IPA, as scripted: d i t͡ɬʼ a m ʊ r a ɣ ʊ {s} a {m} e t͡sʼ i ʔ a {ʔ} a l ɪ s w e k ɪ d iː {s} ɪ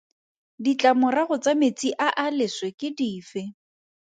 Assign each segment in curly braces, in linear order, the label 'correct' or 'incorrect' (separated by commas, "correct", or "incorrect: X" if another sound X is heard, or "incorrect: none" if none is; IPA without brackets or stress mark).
incorrect: t͡s, correct, correct, incorrect: f